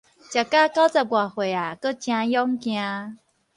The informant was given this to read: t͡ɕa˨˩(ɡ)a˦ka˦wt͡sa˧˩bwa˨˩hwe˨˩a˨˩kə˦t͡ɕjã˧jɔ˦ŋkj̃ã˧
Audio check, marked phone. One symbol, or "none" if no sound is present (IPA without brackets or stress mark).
k